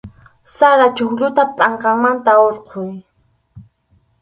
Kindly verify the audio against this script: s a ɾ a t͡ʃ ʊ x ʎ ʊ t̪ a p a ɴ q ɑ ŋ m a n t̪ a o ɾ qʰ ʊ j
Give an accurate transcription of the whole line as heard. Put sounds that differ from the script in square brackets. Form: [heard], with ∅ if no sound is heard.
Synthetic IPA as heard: s a ɾ a t͡ʃ ʊ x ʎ ʊ t̪ a [pʼ] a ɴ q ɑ ŋ m a n t̪ a o ɾ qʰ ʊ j